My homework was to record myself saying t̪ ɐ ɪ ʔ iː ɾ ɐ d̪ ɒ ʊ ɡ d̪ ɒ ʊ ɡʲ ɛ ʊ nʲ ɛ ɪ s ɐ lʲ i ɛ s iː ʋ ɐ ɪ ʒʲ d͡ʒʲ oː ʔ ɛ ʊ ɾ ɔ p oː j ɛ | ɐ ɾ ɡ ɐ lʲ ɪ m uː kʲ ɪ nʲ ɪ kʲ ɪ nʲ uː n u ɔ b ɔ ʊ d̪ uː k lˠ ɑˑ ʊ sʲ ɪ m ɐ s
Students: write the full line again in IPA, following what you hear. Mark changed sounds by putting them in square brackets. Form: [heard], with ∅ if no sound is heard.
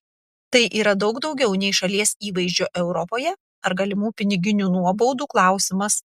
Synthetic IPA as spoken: t̪ ɐ ɪ ʔ iː ɾ ɐ d̪ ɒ ʊ ɡ d̪ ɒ ʊ ɡʲ ɛ ʊ nʲ ɛ ɪ [ʃ] ɐ lʲ i ɛ s iː ʋ ɐ ɪ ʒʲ d͡ʒʲ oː ʔ ɛ ʊ ɾ ɔ p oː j ɛ | ɐ ɾ ɡ ɐ lʲ ɪ m uː [pʲ] ɪ nʲ ɪ [ɡʲ] ɪ nʲ uː n u ɔ b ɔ ʊ d̪ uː k lˠ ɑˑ ʊ sʲ ɪ m ɐ s